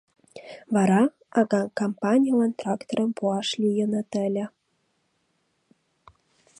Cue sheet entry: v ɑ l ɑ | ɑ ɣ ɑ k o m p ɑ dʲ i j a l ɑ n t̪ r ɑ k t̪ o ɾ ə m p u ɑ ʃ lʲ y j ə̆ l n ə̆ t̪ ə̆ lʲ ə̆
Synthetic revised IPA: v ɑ ɾ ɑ | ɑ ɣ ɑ k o m p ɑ nʲ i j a l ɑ n t̪ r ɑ k t̪ o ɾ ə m p u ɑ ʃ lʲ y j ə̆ n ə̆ t̪ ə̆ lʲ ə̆